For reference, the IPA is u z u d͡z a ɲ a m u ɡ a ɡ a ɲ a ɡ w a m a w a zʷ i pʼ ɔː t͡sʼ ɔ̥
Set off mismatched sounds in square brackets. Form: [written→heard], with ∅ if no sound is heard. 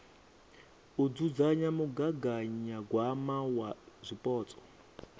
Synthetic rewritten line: u [z→d͡z] u d͡z a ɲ a m u ɡ a ɡ a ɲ a ɡ w a m a w a zʷ i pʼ ɔː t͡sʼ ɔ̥